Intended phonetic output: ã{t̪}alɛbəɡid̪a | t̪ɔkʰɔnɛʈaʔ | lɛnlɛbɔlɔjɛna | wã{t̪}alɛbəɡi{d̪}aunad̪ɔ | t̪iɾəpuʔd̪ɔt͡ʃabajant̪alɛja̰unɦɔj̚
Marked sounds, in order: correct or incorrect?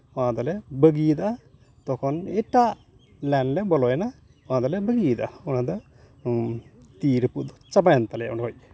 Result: incorrect, incorrect, correct

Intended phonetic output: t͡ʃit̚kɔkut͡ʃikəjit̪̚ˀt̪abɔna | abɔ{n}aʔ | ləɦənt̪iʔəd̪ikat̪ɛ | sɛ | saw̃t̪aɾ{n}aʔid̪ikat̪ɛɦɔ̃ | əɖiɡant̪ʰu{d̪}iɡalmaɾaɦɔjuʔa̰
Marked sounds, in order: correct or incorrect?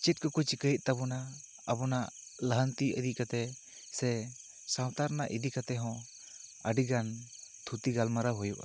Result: correct, correct, incorrect

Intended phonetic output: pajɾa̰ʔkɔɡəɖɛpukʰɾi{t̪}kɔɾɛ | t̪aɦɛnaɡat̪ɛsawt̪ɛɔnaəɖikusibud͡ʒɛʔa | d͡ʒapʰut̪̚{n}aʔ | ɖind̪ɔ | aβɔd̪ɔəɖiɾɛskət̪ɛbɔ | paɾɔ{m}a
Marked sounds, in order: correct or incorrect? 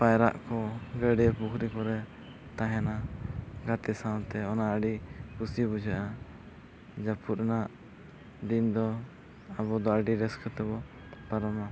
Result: incorrect, correct, correct

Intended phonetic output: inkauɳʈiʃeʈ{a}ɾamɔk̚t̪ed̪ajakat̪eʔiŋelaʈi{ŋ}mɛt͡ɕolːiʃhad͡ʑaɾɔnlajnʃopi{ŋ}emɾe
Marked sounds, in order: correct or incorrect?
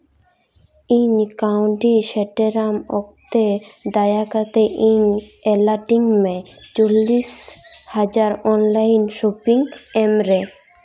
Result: incorrect, correct, correct

